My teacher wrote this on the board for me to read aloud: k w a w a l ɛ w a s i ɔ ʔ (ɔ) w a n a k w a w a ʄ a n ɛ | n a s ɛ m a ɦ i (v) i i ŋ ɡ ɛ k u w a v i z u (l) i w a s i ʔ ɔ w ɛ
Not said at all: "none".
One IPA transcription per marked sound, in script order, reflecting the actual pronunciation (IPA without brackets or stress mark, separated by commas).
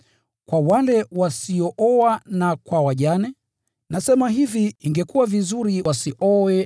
ɔ, v, ɾ